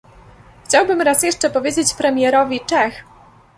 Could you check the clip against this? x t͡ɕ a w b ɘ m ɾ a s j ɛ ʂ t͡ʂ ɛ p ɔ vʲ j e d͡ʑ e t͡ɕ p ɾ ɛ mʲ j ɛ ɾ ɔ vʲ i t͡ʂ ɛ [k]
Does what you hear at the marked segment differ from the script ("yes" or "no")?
yes